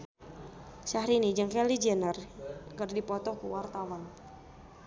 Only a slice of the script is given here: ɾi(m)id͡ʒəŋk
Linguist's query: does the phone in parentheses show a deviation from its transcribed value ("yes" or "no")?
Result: yes